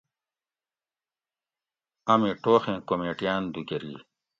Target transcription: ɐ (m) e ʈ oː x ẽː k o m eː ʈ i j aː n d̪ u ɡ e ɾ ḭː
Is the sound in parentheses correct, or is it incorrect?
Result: correct